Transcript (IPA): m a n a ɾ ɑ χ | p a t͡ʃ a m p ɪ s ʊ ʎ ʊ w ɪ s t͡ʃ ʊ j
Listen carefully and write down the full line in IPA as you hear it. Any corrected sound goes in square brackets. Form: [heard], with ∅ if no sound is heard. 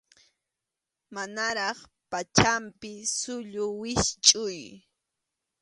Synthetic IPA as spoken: m a n a ɾ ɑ χ | p a t͡ʃ a m p ɪ s ʊ ʎ ʊ w ɪ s [t͡ʃʼ] ʊ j